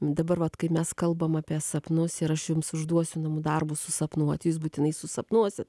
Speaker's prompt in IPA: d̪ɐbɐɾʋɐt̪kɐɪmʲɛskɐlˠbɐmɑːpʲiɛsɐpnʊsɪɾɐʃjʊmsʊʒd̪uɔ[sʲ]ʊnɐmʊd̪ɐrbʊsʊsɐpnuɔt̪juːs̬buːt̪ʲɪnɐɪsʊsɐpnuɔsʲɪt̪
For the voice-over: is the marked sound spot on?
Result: yes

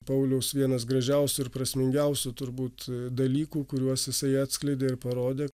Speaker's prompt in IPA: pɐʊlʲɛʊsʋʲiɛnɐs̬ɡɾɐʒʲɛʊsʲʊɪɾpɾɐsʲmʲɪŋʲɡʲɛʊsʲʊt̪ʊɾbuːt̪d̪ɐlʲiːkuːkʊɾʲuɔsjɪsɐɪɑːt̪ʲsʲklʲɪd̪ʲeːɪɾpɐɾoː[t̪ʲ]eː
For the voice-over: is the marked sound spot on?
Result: no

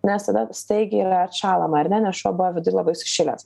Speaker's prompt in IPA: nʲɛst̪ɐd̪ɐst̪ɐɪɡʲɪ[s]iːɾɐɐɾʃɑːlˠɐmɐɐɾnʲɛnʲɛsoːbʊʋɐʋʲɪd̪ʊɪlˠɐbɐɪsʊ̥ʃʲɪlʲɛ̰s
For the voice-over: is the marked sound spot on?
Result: no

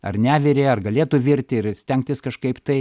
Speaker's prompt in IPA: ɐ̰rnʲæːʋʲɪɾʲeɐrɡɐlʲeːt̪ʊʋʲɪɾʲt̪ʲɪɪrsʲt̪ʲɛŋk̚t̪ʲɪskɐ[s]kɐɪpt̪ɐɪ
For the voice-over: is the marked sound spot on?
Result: no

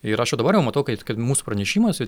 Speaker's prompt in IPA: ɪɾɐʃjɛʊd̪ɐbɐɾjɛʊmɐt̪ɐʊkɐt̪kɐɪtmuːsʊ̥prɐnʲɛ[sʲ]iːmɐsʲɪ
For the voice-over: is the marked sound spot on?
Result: no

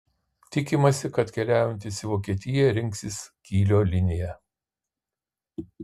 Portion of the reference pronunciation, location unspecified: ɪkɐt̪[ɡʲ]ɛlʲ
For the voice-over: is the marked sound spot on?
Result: no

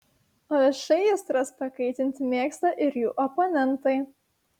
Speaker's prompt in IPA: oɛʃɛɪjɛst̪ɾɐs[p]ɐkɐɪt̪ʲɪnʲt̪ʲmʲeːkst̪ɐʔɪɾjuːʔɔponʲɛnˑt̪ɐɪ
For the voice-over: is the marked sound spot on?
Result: yes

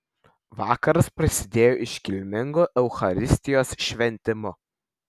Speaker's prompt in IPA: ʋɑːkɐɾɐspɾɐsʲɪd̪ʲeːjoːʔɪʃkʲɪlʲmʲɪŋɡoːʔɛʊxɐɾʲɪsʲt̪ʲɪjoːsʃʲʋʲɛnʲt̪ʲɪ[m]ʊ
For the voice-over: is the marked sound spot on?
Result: yes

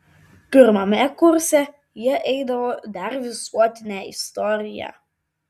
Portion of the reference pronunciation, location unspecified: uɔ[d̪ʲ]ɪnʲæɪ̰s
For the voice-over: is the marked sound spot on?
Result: no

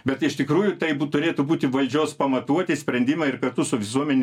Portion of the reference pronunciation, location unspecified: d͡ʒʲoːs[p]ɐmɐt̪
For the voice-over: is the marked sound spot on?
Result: yes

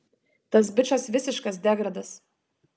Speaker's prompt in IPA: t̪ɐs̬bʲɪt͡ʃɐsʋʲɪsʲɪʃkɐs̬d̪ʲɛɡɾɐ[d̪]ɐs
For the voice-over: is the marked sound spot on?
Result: yes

